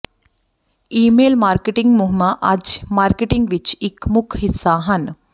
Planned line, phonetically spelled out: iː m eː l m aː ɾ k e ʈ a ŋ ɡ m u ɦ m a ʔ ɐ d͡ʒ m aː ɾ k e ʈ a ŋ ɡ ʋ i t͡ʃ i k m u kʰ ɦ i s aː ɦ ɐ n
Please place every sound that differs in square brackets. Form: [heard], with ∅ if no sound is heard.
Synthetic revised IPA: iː m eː l m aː ɾ k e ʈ [i] ŋ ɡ m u ɦ m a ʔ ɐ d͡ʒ m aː ɾ k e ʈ [i] ŋ ɡ ʋ i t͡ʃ i k m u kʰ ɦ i s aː ɦ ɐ n